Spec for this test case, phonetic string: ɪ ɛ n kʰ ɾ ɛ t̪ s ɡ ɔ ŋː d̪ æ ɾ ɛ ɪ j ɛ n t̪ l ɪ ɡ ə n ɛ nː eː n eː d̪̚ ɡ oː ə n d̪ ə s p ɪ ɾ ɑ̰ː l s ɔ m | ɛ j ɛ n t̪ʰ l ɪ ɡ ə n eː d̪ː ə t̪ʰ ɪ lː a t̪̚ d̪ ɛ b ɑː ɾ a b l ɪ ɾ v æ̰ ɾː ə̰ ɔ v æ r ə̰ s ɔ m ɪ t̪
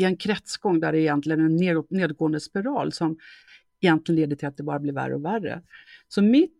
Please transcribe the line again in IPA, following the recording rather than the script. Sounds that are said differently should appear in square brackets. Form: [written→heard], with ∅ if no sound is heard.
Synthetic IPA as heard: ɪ ɛ n kʰ ɾ ɛ t̪ s ɡ ɔ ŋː d̪ æ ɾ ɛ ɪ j ɛ n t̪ l ɪ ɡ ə n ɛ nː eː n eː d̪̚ ɡ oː ə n d̪ ə s p ɪ ɾ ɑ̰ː l s ɔ m | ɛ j ɛ n [t̪ʰ→t̪] l ɪ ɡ ə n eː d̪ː ə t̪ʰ ɪ [lː→l] a t̪̚ d̪ ɛ b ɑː ɾ a b l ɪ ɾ v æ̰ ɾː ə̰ ɔ v æ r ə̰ s ɔ m ɪ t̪